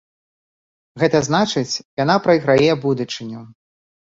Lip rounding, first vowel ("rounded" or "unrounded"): unrounded